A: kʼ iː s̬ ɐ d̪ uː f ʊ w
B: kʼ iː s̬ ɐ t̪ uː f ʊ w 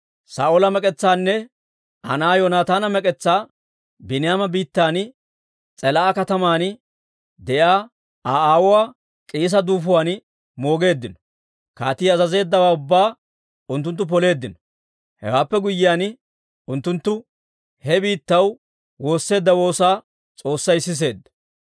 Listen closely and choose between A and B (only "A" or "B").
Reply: A